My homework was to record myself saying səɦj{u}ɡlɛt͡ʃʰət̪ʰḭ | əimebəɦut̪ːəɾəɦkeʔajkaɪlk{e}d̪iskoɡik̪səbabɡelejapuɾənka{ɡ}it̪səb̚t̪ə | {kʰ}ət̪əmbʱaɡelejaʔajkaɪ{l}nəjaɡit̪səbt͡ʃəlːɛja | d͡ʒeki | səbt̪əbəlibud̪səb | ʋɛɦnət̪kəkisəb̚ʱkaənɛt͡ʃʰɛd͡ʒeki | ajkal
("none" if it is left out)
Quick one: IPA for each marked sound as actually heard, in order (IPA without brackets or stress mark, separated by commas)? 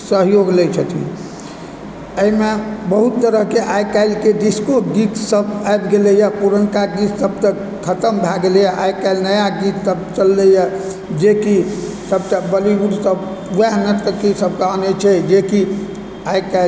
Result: o, e, ɡ, kʰ, l